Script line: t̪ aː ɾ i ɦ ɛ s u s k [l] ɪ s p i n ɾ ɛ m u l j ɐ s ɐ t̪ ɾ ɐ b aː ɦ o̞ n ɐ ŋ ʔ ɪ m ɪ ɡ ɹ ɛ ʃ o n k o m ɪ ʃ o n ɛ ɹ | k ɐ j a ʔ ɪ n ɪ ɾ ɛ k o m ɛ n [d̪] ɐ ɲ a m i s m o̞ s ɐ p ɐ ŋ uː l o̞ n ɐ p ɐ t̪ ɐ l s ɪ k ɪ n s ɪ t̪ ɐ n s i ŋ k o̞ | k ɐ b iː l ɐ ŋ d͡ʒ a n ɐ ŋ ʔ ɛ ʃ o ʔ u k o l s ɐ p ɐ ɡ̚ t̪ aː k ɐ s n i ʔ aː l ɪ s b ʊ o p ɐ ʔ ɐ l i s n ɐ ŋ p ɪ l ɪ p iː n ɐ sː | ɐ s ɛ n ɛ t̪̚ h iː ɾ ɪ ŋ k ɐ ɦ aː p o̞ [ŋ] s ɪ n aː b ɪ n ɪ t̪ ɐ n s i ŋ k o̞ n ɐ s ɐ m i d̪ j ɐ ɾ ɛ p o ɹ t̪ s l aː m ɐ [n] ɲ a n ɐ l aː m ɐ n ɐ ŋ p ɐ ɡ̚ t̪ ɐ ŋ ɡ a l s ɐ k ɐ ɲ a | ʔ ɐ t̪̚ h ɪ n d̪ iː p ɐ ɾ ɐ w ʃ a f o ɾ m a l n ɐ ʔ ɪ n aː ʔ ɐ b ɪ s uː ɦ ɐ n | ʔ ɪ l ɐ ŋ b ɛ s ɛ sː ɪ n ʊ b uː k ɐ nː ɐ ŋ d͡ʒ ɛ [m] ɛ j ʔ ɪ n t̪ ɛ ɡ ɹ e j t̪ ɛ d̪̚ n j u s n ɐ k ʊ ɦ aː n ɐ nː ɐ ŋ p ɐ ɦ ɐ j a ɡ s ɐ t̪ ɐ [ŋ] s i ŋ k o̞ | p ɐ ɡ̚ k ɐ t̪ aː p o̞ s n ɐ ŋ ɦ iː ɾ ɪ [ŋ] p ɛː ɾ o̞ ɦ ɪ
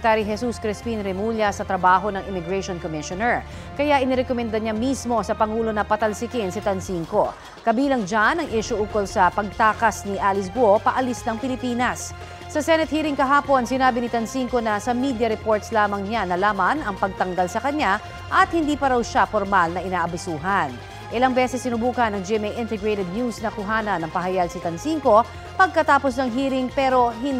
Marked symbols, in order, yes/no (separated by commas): no, yes, no, no, yes, no, yes